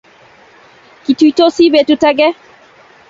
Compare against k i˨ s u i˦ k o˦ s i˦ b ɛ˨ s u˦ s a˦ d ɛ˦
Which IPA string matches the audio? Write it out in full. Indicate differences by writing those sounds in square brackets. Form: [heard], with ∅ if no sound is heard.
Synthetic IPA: k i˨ [t] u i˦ [t] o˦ s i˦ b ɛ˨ [t] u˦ [t] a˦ [ɡ] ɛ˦